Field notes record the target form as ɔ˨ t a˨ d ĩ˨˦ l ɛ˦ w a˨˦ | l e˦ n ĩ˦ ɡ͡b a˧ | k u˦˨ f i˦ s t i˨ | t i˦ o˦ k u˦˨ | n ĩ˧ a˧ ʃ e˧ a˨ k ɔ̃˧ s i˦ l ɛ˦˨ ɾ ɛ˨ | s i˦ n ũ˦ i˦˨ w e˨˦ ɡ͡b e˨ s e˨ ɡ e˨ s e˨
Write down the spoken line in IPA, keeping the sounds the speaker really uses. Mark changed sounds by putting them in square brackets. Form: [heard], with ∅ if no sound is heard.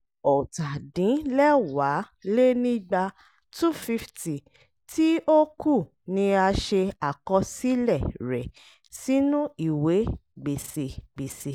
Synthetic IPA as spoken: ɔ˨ t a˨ d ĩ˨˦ l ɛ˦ w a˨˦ | l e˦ n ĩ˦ ɡ͡b a˧ | [t] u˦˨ f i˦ [f] t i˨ | t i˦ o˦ k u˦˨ | n ĩ˧ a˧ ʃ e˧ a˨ k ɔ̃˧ s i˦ l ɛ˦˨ ɾ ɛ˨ | s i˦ n ũ˦ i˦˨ w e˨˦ ɡ͡b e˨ s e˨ [ɡ͡b] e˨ s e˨